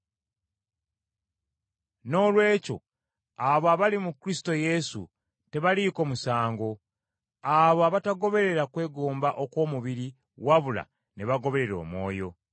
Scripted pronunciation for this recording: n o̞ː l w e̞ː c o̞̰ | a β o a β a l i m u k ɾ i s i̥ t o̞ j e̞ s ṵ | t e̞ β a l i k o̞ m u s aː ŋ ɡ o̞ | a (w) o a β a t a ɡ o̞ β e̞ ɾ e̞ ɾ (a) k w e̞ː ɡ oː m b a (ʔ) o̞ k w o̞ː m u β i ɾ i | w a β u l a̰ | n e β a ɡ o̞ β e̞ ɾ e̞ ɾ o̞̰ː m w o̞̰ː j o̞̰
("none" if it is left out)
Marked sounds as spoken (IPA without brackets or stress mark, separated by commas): β, a, ʔ